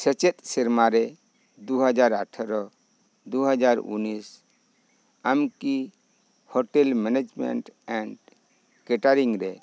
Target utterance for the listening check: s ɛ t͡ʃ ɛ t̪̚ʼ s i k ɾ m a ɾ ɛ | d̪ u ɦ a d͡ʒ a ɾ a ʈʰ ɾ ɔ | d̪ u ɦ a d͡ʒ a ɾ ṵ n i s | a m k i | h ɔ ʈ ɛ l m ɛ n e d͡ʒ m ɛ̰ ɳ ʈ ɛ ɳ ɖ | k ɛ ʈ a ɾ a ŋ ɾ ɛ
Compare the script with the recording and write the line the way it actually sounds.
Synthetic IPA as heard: s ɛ t͡ʃ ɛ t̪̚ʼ s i ɾ m a ɾ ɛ | d̪ u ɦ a d͡ʒ a ɾ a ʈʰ ɾ ɔ | d̪ u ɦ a d͡ʒ a ɾ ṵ n i s | a m k i | h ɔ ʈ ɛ l m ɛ n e d͡ʒ m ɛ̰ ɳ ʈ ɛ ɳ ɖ | k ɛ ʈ a ɾ i ŋ ɾ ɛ